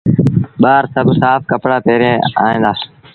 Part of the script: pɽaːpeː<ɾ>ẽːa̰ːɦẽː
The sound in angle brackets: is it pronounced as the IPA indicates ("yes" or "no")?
yes